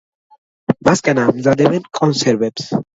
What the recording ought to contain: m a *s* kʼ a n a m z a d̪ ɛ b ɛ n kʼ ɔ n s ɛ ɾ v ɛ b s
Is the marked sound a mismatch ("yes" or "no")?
no